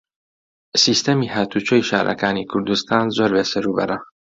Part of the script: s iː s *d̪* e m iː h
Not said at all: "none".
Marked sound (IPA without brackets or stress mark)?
t̪